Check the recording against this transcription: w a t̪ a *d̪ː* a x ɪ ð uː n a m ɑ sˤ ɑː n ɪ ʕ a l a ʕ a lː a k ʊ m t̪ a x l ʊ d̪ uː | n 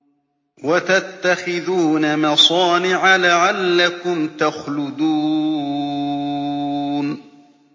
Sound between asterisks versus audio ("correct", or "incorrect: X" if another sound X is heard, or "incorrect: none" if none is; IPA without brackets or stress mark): incorrect: t̪ː